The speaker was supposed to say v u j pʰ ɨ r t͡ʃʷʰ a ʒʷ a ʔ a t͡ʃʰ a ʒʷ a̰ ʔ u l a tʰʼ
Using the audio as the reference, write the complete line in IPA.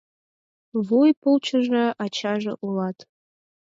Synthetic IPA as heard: v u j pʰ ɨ l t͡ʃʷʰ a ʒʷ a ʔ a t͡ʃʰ a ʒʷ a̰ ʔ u l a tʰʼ